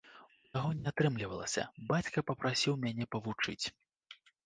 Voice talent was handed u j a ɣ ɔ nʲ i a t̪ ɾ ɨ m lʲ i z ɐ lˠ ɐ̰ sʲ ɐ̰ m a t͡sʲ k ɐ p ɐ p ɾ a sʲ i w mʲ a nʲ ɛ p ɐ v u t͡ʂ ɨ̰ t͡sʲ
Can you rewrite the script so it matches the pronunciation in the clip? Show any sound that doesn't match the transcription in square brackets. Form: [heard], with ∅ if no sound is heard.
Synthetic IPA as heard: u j a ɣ ɔ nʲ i a t̪ ɾ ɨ m lʲ i [v] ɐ lˠ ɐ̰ sʲ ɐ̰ [b] a t͡sʲ k ɐ p ɐ p ɾ a sʲ i w mʲ a nʲ ɛ p ɐ v u t͡ʂ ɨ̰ t͡sʲ